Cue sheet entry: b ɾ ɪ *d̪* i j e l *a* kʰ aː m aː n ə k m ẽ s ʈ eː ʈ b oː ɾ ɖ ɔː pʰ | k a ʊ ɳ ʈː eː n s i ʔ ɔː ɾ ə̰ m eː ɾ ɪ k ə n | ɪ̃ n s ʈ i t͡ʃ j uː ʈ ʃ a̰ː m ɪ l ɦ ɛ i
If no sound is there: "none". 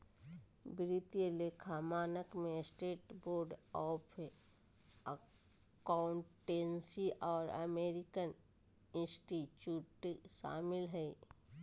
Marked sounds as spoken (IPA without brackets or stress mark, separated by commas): t̪, e